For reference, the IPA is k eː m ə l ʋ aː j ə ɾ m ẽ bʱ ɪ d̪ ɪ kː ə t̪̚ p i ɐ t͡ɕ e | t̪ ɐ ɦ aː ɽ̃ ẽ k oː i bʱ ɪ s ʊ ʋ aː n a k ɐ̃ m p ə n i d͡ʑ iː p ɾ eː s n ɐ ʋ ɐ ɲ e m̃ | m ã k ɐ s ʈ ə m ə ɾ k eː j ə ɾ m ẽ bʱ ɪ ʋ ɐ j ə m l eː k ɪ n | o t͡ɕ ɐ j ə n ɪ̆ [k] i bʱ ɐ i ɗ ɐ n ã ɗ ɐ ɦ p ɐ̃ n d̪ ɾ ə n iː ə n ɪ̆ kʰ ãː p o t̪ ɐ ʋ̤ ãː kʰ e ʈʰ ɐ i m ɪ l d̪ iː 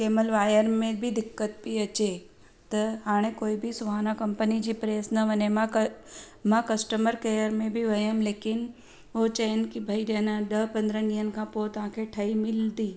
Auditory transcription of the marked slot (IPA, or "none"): k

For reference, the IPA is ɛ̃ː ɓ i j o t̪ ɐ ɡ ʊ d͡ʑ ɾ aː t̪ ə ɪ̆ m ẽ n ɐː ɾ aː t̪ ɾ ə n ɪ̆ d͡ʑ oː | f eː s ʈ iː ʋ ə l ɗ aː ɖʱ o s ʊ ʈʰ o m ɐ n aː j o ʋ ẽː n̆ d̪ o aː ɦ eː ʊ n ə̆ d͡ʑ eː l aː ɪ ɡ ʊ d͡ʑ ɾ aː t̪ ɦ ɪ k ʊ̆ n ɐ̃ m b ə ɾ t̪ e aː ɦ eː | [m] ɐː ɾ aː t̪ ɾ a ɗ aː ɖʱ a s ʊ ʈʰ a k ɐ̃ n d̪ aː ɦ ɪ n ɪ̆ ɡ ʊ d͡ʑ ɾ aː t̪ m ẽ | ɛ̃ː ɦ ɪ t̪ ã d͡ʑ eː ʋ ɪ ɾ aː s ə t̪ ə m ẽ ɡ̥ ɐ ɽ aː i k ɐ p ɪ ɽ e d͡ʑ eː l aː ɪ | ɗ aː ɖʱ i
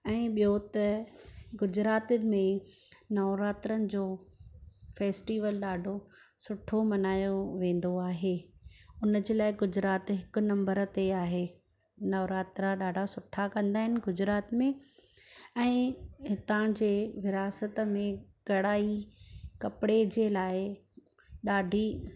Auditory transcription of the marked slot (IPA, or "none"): n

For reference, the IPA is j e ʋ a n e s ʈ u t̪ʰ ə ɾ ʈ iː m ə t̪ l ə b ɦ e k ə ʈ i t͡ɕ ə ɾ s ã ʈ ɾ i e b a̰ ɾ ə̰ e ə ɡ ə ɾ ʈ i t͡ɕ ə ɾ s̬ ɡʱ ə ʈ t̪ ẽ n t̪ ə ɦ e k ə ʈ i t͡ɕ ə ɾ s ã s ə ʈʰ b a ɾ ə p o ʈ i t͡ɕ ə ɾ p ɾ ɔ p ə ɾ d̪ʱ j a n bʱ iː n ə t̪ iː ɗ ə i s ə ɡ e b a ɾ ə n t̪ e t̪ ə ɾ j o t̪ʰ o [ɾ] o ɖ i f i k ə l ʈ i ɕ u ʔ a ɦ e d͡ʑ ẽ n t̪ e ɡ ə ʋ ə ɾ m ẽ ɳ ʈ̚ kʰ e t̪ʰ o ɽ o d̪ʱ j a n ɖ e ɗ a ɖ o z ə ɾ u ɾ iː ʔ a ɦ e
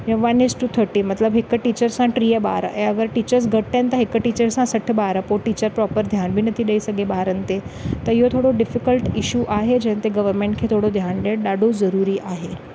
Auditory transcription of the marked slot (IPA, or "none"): ɽ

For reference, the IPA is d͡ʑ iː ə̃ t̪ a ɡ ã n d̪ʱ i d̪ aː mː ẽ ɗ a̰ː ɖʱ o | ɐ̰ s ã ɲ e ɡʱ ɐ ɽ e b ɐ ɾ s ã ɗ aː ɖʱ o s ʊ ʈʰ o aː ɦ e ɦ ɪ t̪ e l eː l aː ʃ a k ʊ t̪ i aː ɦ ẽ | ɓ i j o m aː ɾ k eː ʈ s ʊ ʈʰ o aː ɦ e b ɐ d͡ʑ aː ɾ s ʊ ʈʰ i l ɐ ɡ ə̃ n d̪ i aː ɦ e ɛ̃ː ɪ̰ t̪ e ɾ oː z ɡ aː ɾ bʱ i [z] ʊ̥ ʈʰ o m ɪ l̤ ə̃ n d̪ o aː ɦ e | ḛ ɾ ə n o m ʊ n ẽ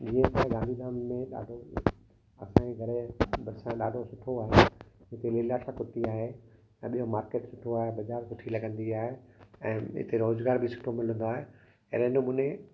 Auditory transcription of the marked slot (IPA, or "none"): s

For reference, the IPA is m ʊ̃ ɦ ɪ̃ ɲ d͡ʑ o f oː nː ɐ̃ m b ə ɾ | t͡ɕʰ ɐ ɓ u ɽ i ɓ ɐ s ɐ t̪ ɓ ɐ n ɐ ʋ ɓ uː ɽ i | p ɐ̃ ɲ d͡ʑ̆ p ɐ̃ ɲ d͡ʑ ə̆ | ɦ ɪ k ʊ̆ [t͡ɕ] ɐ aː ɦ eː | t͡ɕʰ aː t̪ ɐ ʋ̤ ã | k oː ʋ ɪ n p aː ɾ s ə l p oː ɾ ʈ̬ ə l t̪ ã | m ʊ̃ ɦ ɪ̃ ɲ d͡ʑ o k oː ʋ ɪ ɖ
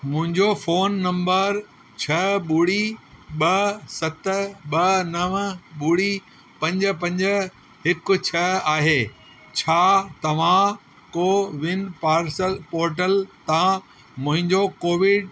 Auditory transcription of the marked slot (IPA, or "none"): t͡ɕʰ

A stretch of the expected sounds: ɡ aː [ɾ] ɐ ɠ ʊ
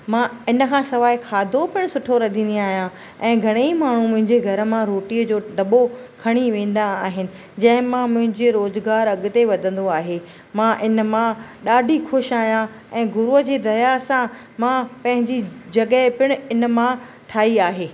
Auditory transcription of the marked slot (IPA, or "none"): ɾ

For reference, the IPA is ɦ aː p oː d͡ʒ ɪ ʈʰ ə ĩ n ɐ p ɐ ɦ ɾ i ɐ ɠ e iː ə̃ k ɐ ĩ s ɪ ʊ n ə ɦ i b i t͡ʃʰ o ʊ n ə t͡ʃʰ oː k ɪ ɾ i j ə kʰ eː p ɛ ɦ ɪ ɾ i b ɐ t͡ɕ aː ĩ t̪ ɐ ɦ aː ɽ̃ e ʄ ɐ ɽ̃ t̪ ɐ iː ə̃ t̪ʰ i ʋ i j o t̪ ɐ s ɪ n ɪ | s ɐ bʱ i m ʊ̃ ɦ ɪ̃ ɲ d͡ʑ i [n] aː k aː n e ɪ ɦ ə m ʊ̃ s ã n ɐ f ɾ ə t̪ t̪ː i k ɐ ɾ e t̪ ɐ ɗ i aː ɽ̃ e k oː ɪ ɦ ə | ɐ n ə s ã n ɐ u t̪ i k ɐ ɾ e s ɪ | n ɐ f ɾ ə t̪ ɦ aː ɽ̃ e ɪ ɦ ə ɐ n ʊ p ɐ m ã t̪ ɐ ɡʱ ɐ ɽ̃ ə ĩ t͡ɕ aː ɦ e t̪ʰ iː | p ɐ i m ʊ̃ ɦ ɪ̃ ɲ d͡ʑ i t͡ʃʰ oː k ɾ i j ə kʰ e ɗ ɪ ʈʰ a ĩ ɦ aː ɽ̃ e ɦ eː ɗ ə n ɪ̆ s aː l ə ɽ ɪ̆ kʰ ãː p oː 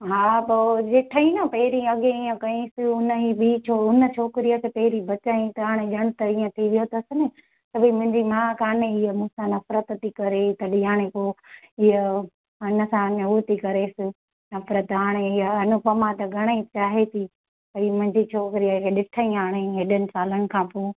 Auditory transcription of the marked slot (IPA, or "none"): m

